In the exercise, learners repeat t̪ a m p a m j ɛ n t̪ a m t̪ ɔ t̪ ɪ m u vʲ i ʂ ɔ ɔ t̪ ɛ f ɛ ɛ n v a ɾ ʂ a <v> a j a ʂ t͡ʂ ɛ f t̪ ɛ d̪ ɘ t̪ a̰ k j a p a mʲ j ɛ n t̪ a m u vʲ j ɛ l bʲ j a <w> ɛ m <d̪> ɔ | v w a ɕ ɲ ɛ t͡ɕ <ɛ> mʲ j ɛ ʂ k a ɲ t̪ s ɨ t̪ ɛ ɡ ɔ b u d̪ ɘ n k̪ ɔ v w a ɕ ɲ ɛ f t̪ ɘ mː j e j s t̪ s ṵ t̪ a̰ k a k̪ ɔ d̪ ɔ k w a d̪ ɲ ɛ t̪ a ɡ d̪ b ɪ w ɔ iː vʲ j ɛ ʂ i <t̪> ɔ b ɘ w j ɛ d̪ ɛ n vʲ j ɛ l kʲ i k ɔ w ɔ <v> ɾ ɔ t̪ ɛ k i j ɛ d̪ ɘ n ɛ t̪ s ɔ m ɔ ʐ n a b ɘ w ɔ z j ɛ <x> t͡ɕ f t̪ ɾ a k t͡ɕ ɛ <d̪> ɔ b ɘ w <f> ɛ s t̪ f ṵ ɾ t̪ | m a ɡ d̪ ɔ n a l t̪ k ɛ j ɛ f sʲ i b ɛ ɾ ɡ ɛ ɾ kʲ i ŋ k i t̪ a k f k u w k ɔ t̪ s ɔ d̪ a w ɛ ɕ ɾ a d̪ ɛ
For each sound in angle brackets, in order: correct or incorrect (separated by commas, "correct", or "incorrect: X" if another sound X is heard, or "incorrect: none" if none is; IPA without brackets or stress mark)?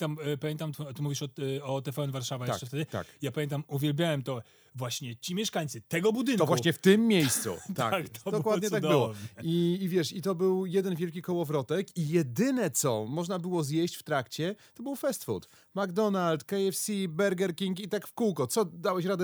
correct, correct, incorrect: t̪, incorrect: i, correct, correct, incorrect: ɕ, incorrect: t̪, correct